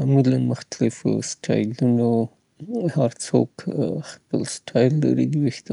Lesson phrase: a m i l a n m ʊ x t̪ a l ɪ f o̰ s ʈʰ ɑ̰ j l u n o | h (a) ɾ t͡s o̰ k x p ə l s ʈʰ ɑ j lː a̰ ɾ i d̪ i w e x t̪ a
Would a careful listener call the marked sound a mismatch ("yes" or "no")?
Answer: no